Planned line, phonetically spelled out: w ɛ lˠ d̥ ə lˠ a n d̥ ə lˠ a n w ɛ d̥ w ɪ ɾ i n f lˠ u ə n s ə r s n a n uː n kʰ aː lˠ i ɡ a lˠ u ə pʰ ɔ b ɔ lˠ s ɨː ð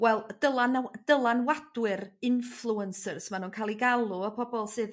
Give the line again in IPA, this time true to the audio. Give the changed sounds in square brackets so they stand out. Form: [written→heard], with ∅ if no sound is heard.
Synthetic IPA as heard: w ɛ lˠ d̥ ə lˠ a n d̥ ə lˠ a n w [ɛ→a] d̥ w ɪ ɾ [i→ɪ] n f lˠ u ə n s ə r s [n→m] a n uː n kʰ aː lˠ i ɡ a lˠ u ə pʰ ɔ b ɔ lˠ s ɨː ð